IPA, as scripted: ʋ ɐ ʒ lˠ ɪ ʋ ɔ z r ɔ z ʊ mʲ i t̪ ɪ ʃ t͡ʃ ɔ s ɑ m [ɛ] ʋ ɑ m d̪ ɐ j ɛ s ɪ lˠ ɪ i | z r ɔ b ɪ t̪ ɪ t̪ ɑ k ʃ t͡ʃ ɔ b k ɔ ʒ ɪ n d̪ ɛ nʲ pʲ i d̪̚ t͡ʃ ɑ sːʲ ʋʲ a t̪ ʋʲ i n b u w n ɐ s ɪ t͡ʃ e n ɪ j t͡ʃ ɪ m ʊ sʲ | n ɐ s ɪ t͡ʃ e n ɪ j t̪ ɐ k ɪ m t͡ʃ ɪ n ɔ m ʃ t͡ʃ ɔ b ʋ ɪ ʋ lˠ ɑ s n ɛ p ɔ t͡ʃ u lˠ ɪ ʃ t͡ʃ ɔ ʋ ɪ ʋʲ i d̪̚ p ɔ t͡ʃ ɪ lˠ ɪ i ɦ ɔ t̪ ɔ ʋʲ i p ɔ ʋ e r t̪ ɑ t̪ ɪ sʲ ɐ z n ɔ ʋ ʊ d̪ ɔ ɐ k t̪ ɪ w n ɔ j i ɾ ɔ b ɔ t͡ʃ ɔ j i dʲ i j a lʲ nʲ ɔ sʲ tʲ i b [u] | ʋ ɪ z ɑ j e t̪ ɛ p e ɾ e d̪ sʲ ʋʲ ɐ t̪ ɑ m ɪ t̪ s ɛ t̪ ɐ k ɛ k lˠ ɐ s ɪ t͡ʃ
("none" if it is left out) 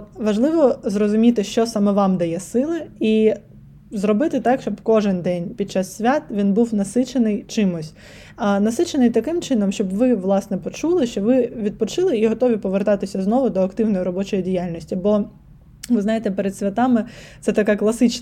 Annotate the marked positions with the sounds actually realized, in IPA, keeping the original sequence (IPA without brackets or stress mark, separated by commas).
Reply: ɛ, ɔ